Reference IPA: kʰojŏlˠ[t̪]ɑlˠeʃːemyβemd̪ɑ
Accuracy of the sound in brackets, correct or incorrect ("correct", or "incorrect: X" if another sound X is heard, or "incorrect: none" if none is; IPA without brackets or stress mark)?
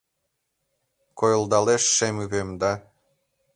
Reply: incorrect: d̪